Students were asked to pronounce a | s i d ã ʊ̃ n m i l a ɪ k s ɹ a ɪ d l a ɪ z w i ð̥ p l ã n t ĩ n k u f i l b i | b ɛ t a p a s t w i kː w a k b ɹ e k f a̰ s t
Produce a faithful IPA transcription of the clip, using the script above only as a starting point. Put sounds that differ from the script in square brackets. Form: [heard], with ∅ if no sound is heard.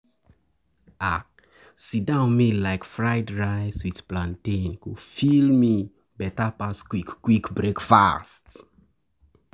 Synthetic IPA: a | s i d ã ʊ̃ n m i l a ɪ k [f] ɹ a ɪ d [ɹ] a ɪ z w i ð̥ p l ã n t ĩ n k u f i l [m] i | b ɛ t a p a s [k] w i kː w [i] k b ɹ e k f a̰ s t